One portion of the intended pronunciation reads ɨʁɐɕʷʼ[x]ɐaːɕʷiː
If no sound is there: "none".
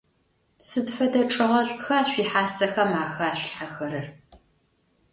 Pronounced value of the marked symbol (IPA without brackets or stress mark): x